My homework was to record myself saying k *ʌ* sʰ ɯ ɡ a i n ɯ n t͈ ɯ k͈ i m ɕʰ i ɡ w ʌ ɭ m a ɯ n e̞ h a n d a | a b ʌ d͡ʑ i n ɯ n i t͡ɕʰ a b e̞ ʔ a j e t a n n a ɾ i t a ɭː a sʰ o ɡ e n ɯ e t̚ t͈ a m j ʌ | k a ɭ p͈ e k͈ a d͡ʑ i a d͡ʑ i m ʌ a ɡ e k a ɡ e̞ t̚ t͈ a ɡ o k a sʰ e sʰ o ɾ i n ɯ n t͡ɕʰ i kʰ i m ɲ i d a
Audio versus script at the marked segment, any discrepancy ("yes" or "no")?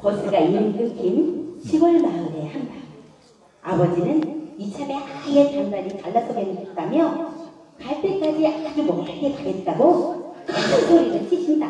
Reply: no